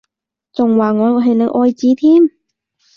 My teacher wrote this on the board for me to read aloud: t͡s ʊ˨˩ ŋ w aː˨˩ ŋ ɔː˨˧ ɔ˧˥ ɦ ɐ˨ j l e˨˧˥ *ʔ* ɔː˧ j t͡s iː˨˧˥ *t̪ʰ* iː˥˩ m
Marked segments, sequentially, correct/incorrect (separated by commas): correct, correct